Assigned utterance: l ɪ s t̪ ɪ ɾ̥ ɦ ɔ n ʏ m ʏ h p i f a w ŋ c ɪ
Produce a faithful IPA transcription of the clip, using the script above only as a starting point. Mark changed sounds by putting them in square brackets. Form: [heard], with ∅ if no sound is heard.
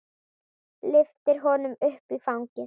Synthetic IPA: l ɪ [f] t̪ ɪ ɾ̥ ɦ ɔ n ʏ m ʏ h p i f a w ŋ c ɪ